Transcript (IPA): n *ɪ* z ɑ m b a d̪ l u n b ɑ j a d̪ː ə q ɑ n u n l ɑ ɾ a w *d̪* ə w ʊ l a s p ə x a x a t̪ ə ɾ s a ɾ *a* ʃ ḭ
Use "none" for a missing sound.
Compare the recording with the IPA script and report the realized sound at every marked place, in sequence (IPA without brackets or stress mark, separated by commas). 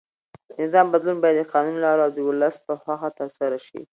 ɪ, d̪, a